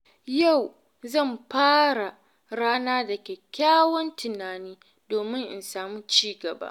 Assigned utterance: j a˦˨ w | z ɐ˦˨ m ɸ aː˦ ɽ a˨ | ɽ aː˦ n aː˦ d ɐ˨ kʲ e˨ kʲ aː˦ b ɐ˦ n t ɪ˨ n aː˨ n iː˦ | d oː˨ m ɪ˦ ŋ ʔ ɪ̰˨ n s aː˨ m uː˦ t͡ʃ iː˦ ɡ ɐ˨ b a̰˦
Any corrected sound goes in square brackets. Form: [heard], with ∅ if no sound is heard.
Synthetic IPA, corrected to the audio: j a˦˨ w | z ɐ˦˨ m ɸ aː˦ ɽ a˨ | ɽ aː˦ n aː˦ d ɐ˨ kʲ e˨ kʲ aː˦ [w] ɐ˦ n t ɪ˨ n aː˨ n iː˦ | d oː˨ m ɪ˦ ŋ ʔ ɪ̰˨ n s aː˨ m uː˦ t͡ʃ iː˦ ɡ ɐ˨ b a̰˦